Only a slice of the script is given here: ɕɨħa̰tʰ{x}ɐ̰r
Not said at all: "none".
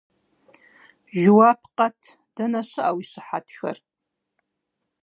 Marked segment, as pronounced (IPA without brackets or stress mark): x